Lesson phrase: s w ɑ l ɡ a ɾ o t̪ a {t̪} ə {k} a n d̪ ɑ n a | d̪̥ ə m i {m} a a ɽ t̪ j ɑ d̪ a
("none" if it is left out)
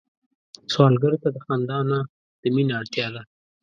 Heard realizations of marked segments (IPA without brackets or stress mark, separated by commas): d̪, x, n